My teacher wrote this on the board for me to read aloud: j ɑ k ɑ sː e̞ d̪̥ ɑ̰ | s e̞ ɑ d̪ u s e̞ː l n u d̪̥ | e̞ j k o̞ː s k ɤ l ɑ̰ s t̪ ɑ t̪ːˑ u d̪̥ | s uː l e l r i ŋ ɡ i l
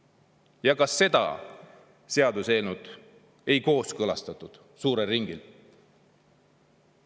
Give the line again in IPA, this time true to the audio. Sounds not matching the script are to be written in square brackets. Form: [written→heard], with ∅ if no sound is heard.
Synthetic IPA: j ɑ k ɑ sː e̞ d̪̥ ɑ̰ | s e̞ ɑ d̪ u s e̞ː l n u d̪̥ | e̞ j k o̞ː s k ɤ l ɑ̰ s t̪ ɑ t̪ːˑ u d̪̥ | s uː [l→ɾ] e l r i ŋ ɡ i l